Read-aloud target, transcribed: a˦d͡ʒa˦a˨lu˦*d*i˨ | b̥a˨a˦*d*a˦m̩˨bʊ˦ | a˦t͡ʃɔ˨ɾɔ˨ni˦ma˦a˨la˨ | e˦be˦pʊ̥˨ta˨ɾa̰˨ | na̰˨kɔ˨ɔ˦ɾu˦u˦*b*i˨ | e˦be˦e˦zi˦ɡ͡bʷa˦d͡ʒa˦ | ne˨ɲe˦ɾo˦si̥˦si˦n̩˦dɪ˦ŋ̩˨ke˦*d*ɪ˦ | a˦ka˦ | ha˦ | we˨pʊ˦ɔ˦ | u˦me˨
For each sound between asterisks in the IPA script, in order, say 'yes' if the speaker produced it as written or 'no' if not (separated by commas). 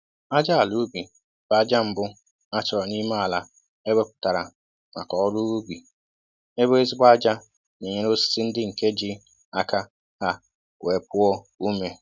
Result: no, no, yes, no